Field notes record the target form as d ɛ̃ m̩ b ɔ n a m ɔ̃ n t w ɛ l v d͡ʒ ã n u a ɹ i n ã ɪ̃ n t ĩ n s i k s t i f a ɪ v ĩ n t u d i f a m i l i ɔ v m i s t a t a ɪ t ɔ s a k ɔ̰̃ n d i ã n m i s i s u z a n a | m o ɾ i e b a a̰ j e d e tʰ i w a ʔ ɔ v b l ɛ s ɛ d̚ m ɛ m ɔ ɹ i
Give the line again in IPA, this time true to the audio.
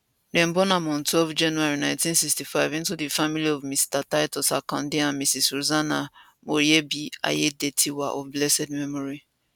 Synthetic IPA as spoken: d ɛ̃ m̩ b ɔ n a m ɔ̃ n t w ɛ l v d͡ʒ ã n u a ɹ i n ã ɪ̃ n t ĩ n s i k s t i f a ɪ v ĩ n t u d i f a m i l i ɔ v m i s t a t a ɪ t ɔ s a k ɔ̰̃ n d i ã n m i s i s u z a n a | m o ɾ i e b i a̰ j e d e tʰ i w a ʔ ɔ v b l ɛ s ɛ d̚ m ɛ m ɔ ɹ i